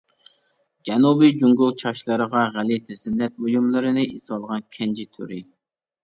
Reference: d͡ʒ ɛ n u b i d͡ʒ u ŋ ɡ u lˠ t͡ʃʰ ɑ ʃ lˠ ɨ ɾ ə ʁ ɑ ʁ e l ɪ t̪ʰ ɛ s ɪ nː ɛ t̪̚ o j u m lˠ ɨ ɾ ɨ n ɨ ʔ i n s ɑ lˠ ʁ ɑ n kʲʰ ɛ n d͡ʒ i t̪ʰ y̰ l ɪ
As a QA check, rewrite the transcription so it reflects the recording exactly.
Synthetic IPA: d͡ʒ ɛ n u b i d͡ʒ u ŋ ɡ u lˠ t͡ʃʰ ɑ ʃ lˠ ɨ ɾ ə ʁ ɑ ʁ æ l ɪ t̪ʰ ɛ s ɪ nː ɛ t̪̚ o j u m lˠ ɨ ɾ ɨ n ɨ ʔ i s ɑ lˠ ʁ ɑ n kʲʰ ɛ n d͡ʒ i t̪ʰ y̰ ɾ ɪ